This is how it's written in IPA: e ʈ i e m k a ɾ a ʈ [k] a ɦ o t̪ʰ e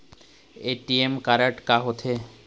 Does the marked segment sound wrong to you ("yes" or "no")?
no